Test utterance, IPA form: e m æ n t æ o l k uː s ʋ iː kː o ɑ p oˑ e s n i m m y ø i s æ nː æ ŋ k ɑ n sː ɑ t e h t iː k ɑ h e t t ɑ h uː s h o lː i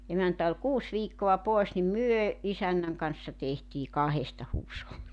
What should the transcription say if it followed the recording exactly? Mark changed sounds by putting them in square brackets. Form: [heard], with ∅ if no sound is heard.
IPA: e m æ n t æ o l k uː s ʋ iː kː o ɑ p oˑ e s n i m m y ø i s æ nː æ ŋ k ɑ n sː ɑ t e h t iː k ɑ h e [s] t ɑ h uː s h o lː i